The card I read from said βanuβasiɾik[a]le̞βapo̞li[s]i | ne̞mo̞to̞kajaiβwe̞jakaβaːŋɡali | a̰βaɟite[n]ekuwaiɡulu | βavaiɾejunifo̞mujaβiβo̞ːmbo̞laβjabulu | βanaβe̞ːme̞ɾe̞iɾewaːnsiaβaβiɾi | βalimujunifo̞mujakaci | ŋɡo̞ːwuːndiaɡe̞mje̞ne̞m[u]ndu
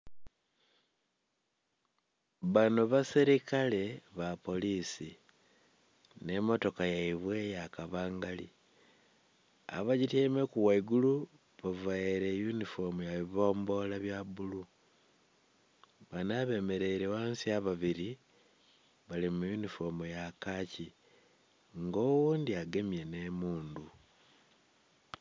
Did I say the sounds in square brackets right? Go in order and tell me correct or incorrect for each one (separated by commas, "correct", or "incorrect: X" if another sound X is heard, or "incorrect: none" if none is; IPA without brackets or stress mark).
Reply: correct, correct, incorrect: m, incorrect: uː